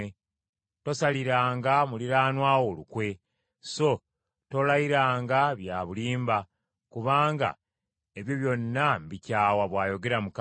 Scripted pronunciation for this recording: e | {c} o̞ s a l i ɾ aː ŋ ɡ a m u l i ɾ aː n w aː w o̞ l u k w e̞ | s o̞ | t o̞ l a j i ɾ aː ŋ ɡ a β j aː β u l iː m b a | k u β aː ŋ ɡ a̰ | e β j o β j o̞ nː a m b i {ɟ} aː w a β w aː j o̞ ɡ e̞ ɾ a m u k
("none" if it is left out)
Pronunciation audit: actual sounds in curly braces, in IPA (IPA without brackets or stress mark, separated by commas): t, c